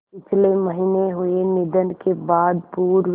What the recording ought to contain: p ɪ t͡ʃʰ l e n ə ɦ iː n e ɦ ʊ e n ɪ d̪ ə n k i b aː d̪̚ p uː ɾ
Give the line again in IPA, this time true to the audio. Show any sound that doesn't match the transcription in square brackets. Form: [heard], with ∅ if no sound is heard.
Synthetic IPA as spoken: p ɪ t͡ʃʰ l e [m] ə ɦ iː n e ɦ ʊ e n ɪ d̪ ə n k [e] b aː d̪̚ p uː ɾ

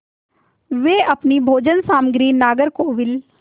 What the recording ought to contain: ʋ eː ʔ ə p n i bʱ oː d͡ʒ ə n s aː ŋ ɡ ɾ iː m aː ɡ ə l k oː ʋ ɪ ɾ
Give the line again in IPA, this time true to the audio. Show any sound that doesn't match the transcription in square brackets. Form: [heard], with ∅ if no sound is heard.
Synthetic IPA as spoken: ʋ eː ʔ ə p n i bʱ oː d͡ʒ ə n s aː [m] ɡ ɾ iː [n] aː ɡ ə [ɾ] k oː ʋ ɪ [l]

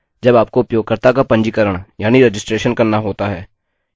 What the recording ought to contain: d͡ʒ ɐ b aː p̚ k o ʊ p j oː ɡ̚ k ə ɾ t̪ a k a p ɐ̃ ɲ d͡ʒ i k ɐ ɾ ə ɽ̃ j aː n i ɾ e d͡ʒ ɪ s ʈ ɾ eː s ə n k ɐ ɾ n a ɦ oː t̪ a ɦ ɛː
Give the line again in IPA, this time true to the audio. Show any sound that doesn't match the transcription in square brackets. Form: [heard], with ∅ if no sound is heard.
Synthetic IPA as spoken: d͡ʒ ɐ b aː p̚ k o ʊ p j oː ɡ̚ k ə ɾ t̪ a k a p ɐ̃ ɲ d͡ʒ i k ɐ ɾ ə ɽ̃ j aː n i ɾ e d͡ʒ ɪ s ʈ ɾ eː [ʃ] ə n k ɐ ɾ n a ɦ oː t̪ a ɦ ɛː

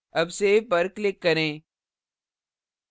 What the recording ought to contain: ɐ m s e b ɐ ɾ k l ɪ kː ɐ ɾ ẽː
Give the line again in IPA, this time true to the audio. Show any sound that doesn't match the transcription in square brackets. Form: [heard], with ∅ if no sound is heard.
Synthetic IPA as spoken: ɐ [b] s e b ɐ ɾ k l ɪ kː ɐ ɾ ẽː

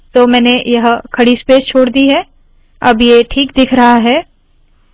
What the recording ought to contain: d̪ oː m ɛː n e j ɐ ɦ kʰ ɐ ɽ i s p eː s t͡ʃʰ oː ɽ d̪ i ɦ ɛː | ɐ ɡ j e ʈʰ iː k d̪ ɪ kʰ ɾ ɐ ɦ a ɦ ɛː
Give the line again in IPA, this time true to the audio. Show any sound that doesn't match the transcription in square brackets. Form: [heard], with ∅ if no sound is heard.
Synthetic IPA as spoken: [t̪] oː m ɛː n e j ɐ ɦ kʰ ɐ ɽ i s p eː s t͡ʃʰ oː ɽ d̪ i ɦ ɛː | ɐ [b] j e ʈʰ iː k d̪ ɪ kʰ ɾ ɐ ɦ a ɦ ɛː

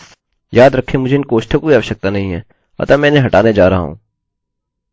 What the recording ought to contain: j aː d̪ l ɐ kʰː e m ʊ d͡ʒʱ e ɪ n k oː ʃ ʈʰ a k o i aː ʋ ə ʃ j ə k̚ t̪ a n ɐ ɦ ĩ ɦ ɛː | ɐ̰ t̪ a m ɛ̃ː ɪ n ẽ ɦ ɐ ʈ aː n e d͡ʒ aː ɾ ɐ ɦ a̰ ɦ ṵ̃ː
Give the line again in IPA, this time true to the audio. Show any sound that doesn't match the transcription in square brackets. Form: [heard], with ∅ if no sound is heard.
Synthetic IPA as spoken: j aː d̪ [ɾ] ɐ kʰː e m ʊ d͡ʒʱ e ɪ n k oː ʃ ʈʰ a k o i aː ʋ ə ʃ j ə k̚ t̪ a n ɐ ɦ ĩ ɦ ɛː | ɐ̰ t̪ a m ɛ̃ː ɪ n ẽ ɦ ɐ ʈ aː n e d͡ʒ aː ɾ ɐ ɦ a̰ ɦ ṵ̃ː

